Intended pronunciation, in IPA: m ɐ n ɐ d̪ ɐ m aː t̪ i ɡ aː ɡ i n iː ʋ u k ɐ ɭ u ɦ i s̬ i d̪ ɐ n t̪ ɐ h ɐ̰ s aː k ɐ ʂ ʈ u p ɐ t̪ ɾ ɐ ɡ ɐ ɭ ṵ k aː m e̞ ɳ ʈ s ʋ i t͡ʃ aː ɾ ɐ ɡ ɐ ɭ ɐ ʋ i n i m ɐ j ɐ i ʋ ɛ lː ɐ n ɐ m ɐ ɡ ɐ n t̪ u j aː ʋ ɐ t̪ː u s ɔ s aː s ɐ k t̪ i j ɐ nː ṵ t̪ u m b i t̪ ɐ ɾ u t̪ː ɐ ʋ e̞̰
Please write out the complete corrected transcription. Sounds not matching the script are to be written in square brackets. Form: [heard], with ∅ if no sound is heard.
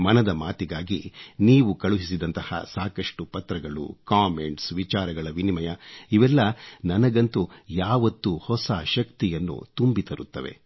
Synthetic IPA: m ɐ n ɐ d̪ ɐ m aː t̪ i ɡ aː ɡ i n iː ʋ u k ɐ ɭ u ɦ i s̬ i d̪ ɐ n t̪ ɐ h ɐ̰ s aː k ɐ ʂ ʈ u p ɐ t̪ ɾ ɐ ɡ ɐ ɭ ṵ k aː m e̞ ɳ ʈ s ʋ i t͡ʃ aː ɾ ɐ ɡ ɐ ɭ ɐ ʋ i n i m ɐ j ɐ i ʋ ɛ lː ɐ n ɐ [n] ɐ ɡ ɐ n t̪ u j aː ʋ ɐ t̪ː u [h] ɔ s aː [ʃ] ɐ k t̪ i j ɐ nː ṵ t̪ u m b i t̪ ɐ ɾ u t̪ː ɐ ʋ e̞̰